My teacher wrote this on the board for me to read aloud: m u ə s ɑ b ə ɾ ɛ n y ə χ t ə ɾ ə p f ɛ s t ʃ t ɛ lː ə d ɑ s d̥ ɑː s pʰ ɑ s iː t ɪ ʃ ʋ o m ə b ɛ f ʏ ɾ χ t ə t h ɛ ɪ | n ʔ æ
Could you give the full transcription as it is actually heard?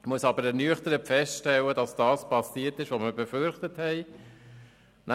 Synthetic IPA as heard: m u ə s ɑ b ə ɾ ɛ n y ə χ t ə ɾ ə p f ɛ s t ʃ t ɛ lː ə d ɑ s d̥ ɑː s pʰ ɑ s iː t ɪ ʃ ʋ o m ə b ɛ f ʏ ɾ χ t ə t h ɛ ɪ | n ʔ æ